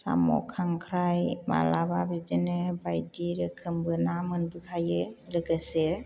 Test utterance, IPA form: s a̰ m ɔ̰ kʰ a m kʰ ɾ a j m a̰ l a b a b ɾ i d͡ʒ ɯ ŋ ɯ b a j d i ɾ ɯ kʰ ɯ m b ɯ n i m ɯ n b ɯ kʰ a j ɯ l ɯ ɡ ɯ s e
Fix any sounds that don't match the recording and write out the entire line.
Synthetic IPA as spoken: s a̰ m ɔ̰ kʰ a ŋ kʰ ɾ a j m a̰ l a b a b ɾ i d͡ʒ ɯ n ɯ b a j d i ɾ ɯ kʰ ɯ m b ɯ n a m ɯ n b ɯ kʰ a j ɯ l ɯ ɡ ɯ s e